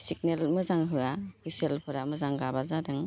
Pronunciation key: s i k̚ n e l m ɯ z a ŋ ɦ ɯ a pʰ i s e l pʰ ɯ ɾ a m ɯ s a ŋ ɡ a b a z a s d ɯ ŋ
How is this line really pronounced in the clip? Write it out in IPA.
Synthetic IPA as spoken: s i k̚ n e l m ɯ z a ŋ ɦ ɯ a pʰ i s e l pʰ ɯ ɾ a m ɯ z a ŋ ɡ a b a z a d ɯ ŋ